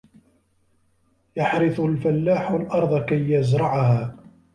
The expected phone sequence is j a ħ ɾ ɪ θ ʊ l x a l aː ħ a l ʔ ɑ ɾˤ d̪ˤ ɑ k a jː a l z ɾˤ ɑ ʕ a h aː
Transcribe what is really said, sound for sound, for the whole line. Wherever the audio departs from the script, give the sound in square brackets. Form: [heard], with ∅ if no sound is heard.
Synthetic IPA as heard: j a ħ ɾ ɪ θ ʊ l [f] a [lː] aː ħ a l ʔ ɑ ɾˤ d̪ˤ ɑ k a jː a [∅] z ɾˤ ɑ ʕ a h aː